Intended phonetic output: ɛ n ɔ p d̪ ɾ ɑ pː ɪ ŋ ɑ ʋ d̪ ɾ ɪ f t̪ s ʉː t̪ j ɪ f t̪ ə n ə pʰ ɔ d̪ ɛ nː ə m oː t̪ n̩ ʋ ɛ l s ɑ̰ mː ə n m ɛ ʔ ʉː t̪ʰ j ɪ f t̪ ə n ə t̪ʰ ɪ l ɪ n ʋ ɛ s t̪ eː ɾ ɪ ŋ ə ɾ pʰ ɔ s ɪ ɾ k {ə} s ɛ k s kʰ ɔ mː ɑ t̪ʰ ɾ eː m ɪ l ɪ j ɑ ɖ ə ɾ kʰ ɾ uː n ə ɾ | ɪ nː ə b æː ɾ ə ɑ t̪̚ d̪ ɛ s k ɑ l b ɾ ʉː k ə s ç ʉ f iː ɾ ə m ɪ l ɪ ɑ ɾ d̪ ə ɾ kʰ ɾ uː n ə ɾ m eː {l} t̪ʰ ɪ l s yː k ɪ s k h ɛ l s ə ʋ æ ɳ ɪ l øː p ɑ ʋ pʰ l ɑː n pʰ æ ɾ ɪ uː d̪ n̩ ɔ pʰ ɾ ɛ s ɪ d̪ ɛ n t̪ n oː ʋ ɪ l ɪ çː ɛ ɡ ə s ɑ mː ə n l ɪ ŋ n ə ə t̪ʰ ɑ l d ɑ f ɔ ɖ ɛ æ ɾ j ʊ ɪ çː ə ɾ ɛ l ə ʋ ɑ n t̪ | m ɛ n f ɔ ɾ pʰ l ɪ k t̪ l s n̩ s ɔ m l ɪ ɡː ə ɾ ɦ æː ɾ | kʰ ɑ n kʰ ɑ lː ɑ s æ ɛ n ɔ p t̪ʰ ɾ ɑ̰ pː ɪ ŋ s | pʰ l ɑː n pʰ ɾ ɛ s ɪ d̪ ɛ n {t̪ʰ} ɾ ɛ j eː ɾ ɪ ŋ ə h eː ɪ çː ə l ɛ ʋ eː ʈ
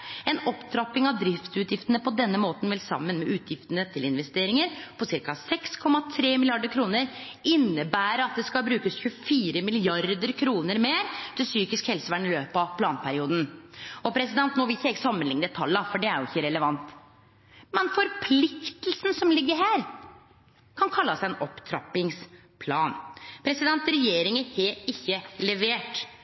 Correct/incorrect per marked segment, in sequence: incorrect: ɑ, incorrect: ɾ, incorrect: t̪

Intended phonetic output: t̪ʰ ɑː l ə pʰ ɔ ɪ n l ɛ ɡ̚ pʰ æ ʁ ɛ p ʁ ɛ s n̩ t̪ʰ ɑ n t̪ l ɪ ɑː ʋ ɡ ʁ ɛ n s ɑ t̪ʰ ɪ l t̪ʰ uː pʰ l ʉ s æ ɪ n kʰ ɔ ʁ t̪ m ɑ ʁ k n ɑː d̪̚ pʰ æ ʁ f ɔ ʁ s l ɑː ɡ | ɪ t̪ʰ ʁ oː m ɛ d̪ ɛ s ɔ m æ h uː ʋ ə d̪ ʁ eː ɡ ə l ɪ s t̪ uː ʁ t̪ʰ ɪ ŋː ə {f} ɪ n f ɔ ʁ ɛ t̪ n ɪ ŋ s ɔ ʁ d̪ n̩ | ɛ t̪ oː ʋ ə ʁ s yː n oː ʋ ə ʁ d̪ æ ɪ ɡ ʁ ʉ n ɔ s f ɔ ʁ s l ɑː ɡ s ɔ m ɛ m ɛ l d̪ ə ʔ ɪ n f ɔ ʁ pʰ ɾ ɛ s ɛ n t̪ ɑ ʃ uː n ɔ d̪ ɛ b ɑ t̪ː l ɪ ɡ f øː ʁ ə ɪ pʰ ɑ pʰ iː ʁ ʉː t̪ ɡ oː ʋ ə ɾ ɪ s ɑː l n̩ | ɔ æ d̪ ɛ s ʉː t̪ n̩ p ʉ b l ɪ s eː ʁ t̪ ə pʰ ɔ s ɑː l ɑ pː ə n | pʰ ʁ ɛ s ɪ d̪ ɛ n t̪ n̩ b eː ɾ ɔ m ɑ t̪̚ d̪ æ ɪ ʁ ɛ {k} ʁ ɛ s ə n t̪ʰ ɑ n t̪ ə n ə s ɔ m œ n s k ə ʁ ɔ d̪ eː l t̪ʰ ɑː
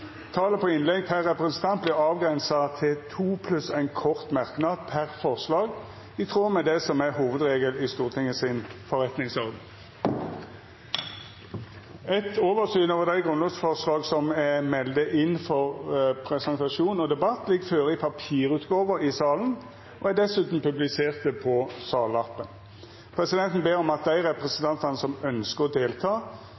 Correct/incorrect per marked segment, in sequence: incorrect: s, incorrect: p

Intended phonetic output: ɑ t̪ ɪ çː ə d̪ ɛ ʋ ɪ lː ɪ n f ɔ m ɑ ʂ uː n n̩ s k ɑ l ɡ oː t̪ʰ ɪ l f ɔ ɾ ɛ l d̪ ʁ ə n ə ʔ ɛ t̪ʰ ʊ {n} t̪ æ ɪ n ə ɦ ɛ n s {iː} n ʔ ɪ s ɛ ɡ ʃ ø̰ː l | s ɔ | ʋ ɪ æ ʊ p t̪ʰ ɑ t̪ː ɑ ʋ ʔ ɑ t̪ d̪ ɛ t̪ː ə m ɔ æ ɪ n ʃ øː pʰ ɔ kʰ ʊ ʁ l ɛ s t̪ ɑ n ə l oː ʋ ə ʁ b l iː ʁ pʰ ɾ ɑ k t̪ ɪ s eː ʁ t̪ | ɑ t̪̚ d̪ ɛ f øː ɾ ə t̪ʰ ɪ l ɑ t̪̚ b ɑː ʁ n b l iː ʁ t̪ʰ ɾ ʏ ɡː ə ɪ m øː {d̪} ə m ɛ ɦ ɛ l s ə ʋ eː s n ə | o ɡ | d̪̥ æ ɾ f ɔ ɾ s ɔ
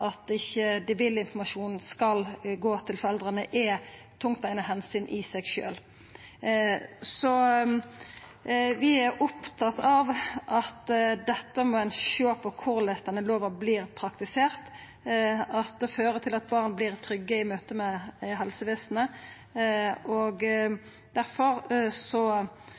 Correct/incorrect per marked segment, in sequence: incorrect: ŋ, incorrect: yː, incorrect: t̪

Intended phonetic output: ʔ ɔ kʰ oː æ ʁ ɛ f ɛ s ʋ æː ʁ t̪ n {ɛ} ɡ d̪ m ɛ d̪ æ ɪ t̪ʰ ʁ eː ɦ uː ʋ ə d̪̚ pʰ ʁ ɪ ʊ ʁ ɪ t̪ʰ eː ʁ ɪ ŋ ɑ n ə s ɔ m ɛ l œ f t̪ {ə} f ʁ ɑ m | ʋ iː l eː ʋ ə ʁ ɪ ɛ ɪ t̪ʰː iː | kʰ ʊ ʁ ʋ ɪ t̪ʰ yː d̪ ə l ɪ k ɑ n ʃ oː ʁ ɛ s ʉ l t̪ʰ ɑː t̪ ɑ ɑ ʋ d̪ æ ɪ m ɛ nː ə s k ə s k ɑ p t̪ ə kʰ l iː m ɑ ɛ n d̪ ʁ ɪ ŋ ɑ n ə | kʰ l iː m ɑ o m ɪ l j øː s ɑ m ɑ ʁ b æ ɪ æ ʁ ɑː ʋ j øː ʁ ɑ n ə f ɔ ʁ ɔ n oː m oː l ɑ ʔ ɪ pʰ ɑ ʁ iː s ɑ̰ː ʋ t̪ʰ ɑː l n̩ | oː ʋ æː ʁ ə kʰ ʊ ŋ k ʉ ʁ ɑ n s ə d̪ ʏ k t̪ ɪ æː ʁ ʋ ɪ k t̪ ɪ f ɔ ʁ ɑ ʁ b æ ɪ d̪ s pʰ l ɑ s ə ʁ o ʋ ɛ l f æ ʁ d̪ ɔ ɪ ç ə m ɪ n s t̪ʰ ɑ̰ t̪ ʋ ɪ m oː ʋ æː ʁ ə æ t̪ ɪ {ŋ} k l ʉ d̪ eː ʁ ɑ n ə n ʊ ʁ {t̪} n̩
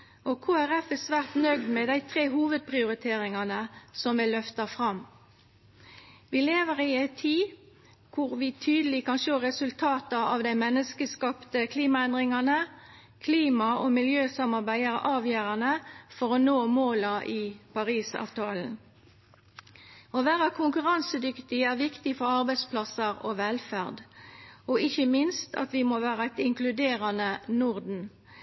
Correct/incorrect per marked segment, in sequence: incorrect: œ, incorrect: ɑ, correct, incorrect: d̪

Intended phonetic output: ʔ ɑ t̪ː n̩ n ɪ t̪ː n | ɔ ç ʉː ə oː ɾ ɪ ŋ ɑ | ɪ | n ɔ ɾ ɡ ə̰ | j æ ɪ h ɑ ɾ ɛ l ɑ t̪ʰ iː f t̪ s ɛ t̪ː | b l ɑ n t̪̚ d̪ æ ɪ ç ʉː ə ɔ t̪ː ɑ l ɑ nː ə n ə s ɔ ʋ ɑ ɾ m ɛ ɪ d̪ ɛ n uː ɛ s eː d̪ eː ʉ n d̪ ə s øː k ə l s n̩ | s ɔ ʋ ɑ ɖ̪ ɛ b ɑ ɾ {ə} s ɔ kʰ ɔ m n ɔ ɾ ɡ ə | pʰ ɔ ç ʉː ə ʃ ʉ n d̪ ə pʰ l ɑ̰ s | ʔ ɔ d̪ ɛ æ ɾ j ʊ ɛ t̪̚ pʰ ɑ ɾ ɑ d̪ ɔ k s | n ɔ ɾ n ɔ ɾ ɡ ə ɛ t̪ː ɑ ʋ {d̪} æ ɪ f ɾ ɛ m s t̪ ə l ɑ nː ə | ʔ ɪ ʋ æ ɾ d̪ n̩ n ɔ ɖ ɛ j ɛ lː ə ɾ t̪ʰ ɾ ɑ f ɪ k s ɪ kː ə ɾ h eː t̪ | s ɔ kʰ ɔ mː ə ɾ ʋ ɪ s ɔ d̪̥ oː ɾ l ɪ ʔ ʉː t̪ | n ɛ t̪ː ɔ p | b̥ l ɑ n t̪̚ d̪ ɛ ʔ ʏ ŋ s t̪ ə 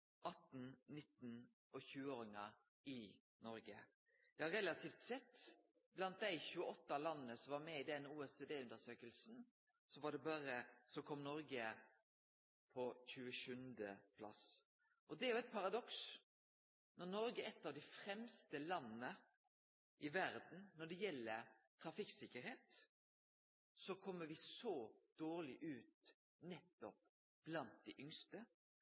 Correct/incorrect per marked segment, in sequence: correct, correct

